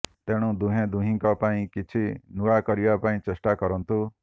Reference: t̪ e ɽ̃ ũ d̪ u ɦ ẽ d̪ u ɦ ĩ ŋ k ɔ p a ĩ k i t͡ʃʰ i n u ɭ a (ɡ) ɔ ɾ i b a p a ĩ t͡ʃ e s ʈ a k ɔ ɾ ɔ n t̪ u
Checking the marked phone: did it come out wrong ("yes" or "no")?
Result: yes